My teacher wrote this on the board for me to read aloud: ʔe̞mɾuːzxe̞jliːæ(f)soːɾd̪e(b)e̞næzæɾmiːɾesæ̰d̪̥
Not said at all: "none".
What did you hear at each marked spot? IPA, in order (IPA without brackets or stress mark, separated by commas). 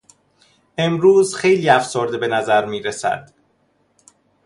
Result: f, b